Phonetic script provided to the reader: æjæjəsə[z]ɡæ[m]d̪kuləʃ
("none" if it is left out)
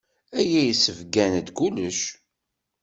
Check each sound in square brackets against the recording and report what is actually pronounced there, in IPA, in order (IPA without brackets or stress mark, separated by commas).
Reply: v, n